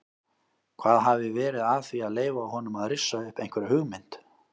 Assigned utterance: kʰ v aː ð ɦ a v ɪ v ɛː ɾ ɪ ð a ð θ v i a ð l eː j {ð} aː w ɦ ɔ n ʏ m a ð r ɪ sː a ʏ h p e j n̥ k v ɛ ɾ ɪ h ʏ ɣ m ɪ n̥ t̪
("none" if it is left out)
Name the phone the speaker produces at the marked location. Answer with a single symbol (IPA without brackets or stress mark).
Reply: v